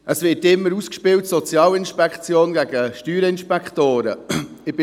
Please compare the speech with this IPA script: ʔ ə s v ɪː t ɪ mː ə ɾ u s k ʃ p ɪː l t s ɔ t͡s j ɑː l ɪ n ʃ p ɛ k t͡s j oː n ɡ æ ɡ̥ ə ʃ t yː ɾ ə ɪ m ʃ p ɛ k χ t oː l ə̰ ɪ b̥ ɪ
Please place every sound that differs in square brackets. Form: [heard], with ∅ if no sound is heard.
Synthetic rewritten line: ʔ ə s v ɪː t ɪ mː ə ɾ u s k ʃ p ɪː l t s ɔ t͡s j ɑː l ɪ n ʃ p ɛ k t͡s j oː n ɡ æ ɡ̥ ə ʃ t yː ɾ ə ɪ [n] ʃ p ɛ k χ t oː [ɾ] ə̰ ɪ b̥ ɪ